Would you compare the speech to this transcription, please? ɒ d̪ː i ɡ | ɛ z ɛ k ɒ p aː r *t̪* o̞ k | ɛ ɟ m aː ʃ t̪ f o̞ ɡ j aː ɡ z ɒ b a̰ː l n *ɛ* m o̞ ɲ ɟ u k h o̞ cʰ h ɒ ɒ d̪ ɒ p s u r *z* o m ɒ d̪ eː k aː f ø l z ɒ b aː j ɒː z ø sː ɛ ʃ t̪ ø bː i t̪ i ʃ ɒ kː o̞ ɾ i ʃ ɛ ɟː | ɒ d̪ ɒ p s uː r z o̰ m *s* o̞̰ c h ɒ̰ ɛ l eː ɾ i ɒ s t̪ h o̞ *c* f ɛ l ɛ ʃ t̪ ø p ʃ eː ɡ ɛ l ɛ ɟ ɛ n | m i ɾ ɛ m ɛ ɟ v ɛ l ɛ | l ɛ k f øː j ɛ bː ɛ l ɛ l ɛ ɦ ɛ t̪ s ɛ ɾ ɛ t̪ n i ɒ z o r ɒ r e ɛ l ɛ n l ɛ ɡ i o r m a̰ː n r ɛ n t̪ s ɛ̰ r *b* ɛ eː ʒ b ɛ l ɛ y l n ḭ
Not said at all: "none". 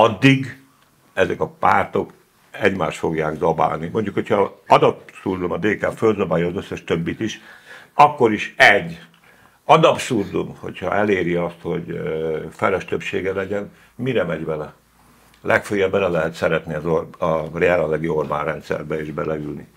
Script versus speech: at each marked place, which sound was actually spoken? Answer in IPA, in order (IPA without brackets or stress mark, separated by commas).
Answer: t̪, i, z, h, ɟ, b